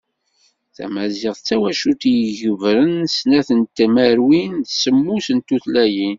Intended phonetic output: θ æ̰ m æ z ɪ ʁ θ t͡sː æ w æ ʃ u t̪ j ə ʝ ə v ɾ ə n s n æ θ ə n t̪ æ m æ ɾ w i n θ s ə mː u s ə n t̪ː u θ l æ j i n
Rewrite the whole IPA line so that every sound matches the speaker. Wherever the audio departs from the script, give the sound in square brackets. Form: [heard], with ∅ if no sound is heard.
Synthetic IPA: θ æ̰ m æ z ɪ ʁ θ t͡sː æ w æ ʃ u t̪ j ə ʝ ə v ɾ ə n s n æ θ ə n t̪ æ m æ ɾ w i n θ s ə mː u s ə n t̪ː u θ l æ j i n